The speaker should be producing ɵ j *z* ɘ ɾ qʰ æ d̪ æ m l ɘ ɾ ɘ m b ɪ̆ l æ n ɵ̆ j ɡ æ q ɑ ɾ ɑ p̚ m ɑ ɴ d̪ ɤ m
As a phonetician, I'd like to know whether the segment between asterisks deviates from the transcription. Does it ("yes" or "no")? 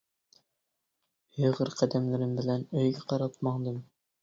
yes